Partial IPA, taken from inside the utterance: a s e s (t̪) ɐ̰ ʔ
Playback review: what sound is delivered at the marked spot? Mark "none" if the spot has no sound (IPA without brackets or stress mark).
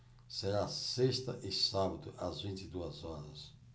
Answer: t̪